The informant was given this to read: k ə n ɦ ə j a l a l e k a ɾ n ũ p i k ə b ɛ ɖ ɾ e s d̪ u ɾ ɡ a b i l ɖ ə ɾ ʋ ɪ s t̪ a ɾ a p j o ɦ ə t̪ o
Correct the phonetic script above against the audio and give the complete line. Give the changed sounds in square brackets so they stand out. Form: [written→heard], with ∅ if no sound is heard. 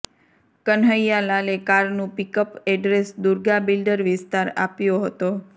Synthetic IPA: k ə n ɦ ə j a l a l e k a ɾ n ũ p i k ə [b→p] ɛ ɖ ɾ e s d̪ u ɾ ɡ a b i l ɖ ə ɾ ʋ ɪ s t̪ a ɾ a p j o ɦ ə t̪ o